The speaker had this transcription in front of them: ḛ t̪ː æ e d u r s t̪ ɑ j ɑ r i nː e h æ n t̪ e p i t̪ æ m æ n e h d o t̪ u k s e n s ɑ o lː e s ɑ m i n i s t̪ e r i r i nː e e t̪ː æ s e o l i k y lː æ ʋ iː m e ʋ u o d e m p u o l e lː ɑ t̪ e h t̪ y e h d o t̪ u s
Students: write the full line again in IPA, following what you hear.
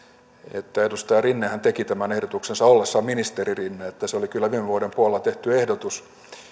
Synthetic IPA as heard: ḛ t̪ː æ e d u s t̪ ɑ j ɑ r i nː e h æ n t̪ e k i t̪ æ m æ n e h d o t̪ u k s e n s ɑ o lː e sː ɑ m i n i s t̪ e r i r i nː e e t̪ː æ s e o l i k y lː æ ʋ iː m e ʋ u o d e m p u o l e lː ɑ t̪ e h t̪ y e h d o t̪ u s